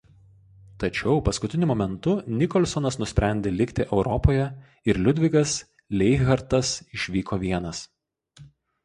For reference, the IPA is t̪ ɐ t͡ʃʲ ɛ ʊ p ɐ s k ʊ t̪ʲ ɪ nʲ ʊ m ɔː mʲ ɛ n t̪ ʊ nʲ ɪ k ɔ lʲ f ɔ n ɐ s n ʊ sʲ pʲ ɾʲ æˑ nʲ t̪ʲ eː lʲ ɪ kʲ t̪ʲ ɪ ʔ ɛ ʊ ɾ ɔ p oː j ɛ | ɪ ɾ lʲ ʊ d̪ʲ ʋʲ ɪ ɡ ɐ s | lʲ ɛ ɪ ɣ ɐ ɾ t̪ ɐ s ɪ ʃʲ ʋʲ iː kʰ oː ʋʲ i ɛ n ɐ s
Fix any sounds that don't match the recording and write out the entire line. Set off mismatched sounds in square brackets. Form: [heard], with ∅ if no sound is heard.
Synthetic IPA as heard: t̪ ɐ t͡ʃʲ ɛ ʊ p ɐ s k ʊ t̪ʲ ɪ nʲ ʊ m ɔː mʲ ɛ n t̪ ʊ nʲ ɪ k ɔ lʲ [s] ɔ n ɐ s n ʊ sʲ pʲ ɾʲ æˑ nʲ [d̪ʲ] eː lʲ ɪ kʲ t̪ʲ ɪ ʔ ɛ ʊ ɾ ɔ p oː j ɛ | ɪ ɾ lʲ ʊ d̪ʲ ʋʲ ɪ ɡ ɐ s | lʲ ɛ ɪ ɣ ɐ ɾ t̪ ɐ s ɪ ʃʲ ʋʲ iː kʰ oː ʋʲ i ɛ n ɐ s